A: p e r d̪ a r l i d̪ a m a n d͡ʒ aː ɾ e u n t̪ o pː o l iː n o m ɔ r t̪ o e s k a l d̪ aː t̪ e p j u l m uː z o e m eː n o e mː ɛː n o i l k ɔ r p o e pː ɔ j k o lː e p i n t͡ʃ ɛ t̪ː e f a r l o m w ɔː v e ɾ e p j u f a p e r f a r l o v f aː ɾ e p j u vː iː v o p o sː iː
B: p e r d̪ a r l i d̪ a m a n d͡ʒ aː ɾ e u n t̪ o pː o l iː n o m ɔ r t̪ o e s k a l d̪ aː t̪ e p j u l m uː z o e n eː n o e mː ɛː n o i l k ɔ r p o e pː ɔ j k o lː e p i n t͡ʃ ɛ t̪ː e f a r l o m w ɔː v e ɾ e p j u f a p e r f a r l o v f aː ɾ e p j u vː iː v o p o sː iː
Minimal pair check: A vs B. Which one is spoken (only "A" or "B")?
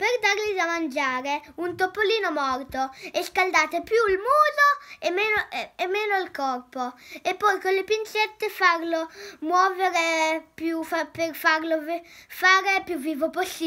A